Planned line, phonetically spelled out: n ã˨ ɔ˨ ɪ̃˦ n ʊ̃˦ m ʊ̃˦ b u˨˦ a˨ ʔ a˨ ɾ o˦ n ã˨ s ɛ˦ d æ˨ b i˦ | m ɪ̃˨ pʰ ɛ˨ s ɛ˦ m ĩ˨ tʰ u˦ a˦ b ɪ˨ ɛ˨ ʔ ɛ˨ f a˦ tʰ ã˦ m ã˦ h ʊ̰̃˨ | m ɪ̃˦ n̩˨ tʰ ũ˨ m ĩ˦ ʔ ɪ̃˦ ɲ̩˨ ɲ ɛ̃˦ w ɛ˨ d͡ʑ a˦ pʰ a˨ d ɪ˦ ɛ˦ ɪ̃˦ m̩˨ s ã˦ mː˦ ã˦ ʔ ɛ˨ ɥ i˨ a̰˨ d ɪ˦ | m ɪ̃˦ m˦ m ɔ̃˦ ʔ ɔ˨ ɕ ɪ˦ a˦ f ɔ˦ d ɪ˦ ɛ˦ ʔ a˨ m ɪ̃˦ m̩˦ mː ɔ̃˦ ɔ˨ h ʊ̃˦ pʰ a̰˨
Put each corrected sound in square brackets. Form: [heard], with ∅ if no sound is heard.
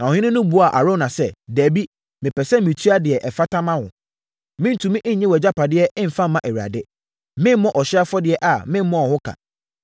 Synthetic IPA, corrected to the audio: n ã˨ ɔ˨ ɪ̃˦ n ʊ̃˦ [n] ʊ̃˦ b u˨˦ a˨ ʔ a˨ ɾ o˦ n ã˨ s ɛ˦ d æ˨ b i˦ | m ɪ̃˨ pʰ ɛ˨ s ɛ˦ m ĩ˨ tʰ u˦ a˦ [d] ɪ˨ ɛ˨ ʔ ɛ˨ f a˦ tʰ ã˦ m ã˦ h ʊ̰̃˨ | m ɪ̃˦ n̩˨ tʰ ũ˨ m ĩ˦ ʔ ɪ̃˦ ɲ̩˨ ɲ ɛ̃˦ w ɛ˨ d͡ʑ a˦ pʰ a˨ d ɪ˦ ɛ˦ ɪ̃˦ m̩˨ [f] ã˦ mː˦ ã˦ ʔ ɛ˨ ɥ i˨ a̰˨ d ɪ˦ | m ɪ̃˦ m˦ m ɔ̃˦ ʔ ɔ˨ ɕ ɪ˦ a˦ f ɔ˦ d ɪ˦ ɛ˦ ʔ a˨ m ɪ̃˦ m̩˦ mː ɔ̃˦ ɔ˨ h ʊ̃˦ [kʰ] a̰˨